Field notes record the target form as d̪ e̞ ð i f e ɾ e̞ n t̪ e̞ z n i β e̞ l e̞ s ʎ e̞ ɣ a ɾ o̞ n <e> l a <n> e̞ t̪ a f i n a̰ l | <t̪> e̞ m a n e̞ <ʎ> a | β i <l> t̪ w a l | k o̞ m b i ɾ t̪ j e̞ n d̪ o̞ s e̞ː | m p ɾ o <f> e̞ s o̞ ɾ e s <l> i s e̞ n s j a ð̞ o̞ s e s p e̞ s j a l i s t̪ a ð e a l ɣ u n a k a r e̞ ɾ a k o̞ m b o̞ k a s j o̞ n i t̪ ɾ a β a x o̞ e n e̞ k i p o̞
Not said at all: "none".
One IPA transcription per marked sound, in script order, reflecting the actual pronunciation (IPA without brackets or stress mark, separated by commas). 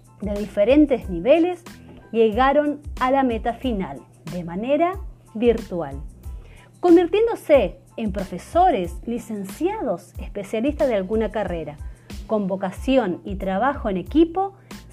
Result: a, m, d̪, ɾ, ɾ, f, l